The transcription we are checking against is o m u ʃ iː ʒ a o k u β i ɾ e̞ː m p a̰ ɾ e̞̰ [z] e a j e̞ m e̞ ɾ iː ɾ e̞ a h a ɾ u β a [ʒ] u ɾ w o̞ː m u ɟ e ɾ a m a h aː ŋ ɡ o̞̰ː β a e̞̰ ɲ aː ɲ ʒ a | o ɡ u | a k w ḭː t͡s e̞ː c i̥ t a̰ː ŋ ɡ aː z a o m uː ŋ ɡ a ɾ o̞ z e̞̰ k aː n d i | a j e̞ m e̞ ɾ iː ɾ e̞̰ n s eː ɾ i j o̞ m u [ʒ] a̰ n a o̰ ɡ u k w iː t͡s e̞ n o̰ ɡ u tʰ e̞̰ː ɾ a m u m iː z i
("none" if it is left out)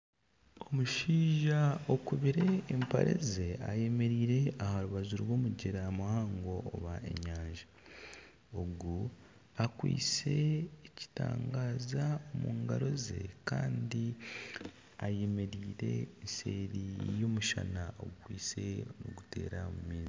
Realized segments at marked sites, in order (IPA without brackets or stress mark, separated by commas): z, z, ʃ